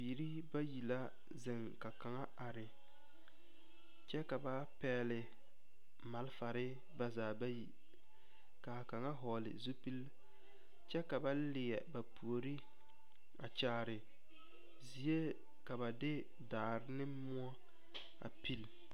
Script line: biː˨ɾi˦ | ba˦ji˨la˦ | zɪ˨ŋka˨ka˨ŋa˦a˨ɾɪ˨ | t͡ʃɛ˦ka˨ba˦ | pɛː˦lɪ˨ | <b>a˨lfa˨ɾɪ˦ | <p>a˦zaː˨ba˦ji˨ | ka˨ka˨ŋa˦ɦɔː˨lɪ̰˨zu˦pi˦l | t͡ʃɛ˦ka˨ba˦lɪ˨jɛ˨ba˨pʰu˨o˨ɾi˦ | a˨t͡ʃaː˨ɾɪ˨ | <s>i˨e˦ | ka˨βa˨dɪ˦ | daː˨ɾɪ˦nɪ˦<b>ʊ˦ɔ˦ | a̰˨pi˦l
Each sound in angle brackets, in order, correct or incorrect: incorrect: m, incorrect: b, incorrect: z, incorrect: m

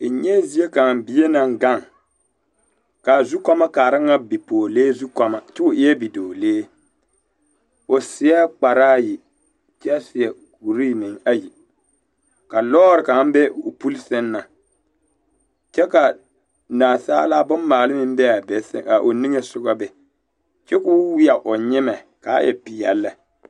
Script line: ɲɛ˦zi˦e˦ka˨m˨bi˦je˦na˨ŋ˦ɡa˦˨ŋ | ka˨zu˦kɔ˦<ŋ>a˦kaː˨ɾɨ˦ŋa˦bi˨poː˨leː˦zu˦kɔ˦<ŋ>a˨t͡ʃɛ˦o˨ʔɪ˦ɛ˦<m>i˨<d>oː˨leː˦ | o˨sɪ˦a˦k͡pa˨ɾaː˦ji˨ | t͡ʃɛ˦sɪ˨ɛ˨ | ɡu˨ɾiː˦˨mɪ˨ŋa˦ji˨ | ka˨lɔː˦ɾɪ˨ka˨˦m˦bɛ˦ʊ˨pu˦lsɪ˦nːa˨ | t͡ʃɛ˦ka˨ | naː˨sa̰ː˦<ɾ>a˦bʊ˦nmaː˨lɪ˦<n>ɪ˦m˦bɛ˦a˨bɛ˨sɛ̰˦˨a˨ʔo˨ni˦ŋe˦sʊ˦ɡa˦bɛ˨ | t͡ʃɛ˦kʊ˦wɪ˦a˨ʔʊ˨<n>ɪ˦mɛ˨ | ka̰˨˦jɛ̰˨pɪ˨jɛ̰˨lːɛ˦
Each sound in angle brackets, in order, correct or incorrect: incorrect: m, incorrect: m, incorrect: b, correct, incorrect: l, incorrect: m, incorrect: ɲ

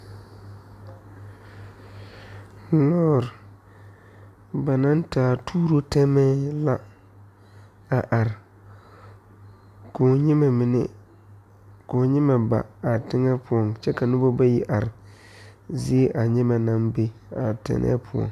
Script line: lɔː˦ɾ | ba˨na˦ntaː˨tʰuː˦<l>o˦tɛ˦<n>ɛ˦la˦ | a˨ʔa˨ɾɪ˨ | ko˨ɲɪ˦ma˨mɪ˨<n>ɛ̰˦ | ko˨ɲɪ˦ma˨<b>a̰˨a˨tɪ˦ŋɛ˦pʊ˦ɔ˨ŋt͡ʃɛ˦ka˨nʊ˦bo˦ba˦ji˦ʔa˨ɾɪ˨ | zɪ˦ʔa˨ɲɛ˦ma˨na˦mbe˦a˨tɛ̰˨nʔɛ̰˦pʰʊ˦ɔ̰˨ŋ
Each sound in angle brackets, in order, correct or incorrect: incorrect: ɾ, incorrect: m, correct, correct

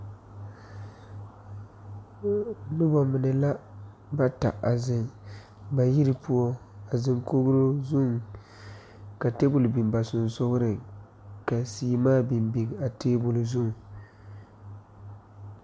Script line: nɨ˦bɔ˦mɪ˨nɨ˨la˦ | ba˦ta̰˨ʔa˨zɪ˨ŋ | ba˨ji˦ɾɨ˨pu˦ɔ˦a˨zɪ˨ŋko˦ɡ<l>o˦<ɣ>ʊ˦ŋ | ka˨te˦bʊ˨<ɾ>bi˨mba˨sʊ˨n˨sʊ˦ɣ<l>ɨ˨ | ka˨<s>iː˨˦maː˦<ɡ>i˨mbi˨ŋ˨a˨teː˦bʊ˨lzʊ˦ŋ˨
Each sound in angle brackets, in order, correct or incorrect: incorrect: ɾ, incorrect: z, incorrect: l, incorrect: ɾ, correct, incorrect: b

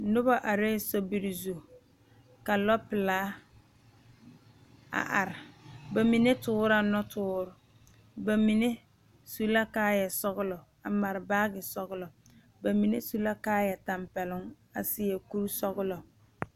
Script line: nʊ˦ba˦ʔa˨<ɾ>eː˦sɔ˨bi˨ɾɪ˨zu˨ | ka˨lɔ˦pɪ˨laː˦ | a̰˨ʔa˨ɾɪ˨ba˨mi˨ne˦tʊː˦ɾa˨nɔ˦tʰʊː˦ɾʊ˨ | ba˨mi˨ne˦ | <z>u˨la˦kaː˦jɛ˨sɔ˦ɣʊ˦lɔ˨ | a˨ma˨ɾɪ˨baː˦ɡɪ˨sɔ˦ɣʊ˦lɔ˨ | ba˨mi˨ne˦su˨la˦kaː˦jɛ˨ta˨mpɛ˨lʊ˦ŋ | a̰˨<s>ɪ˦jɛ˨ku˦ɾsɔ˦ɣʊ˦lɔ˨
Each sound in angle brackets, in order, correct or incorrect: correct, incorrect: s, correct

